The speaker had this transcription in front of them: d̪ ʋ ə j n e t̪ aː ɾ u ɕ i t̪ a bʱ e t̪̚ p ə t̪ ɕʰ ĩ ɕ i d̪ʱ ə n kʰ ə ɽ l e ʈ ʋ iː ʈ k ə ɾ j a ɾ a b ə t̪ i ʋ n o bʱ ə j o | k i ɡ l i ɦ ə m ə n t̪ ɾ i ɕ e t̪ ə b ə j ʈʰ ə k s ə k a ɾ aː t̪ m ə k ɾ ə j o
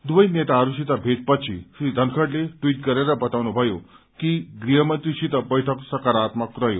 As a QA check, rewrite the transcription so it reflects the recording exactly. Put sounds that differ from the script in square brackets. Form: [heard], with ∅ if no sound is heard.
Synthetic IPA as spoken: d̪ ʋ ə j n e t̪ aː ɾ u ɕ i t̪ a bʱ e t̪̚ p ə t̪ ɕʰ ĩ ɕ i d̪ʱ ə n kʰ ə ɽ l e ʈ ʋ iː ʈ k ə ɾ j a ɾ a b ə t̪ [a] ʋ n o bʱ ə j o | k i ɡ [ɾ] i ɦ ə m ə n t̪ ɾ i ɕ [i] t̪ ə b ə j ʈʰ ə k s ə k a ɾ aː t̪ m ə k ɾ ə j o

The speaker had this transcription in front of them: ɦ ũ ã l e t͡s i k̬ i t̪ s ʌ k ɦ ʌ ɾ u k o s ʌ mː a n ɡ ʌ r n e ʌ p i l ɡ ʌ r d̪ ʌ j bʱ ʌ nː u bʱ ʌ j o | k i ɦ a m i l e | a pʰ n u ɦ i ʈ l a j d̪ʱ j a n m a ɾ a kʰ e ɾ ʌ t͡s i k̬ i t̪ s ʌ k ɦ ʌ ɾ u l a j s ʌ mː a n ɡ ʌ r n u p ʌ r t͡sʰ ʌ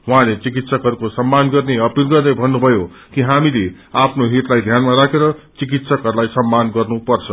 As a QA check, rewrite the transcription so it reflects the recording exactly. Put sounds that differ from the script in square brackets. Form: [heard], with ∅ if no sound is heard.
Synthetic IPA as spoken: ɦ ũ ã l e t͡s i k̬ i t̪ s ʌ k ɦ ʌ ɾ u k o s ʌ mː a n ɡ ʌ r n e ʌ p i l ɡ ʌ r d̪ ʌ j bʱ ʌ nː u bʱ ʌ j o | k i ɦ a m i l e | a pʰ n [o] ɦ i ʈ l a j d̪ʱ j a n m a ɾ a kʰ e ɾ ʌ t͡s i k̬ i t̪ s ʌ k ɦ ʌ ɾ u l a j s ʌ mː a n ɡ ʌ r n u p ʌ r t͡sʰ ʌ

